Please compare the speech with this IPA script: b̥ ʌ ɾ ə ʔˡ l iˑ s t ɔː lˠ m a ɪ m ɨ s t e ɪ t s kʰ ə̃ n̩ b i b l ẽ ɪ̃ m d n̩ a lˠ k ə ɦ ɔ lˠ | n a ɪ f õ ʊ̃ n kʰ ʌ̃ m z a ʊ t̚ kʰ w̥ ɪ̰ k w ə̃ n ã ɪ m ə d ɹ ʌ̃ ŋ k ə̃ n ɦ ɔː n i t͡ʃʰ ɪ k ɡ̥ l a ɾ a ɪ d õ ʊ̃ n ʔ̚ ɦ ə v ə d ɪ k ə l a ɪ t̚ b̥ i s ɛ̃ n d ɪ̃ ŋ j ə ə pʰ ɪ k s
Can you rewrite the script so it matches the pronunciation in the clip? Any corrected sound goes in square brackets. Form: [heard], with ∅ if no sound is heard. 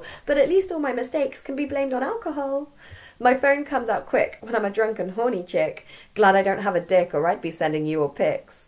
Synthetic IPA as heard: b̥ ʌ ɾ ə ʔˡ l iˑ s t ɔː lˠ m a ɪ m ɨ s t e ɪ [k] s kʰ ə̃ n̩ b i b l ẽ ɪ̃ m d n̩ a lˠ k ə ɦ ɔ lˠ | [m] a ɪ f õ ʊ̃ n kʰ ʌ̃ m z a ʊ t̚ kʰ w̥ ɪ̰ k w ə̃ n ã ɪ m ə d ɹ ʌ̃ ŋ k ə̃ n ɦ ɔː n i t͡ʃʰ ɪ k ɡ̥ l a ɾ a ɪ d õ ʊ̃ n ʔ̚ ɦ ə v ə d ɪ k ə [ɹ] a ɪ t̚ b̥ i s ɛ̃ n d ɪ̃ ŋ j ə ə pʰ ɪ k s